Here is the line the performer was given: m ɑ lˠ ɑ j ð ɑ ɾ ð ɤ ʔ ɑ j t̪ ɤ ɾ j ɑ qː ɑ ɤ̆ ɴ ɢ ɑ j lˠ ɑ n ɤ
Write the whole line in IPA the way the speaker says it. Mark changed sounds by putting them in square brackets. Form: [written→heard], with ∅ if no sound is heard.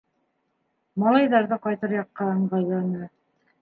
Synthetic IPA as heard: m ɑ lˠ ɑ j ð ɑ ɾ ð ɤ [ʔ→q] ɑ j t̪ ɤ ɾ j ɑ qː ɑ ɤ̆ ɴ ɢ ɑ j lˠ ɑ n ɤ